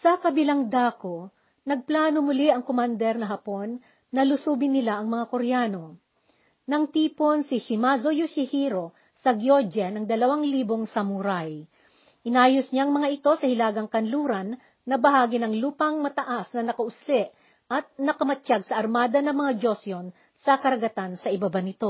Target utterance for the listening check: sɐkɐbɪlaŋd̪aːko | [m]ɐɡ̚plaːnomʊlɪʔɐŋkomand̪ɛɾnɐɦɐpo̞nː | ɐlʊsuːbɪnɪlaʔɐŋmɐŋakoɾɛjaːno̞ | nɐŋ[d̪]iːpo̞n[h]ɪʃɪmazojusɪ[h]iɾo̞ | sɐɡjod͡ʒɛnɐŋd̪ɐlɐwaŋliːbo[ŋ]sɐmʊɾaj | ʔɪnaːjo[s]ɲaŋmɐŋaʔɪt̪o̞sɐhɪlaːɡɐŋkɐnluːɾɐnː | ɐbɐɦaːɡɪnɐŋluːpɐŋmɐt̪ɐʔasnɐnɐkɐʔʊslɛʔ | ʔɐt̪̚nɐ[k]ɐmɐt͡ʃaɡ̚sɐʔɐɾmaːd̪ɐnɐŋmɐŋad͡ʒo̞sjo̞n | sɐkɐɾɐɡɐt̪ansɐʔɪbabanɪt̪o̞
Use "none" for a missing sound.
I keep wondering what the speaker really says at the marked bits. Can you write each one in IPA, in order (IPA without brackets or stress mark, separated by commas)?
n, t̪, s, h, ŋ, s, k